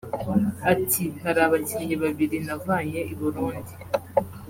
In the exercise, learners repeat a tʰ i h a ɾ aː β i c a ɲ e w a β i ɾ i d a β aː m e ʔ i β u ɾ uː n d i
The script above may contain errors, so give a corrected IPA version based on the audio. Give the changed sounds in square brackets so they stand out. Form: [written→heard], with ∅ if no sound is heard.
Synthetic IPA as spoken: a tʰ i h a ɾ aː β [i→a] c [a→i] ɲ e [w→β] a β i ɾ i [d→n] a [β→v] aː [m→ɲ] e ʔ i β u ɾ uː n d i